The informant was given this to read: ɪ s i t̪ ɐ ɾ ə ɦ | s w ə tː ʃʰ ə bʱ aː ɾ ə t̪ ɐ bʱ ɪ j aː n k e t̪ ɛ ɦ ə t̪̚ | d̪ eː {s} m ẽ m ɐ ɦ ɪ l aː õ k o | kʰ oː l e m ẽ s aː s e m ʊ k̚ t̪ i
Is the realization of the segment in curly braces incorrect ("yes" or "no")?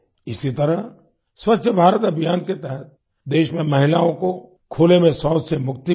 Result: yes